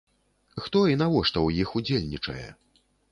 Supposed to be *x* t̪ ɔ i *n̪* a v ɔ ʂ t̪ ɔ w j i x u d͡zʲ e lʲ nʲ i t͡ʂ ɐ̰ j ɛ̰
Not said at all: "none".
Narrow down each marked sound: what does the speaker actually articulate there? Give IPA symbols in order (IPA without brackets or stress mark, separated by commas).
x, n̪